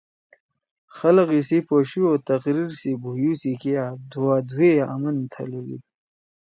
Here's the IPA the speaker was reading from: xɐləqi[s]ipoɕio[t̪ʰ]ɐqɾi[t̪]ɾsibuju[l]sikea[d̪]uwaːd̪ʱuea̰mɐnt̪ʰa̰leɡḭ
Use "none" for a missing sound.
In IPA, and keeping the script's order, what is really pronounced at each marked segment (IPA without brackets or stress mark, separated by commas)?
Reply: s, t̪, none, none, d̪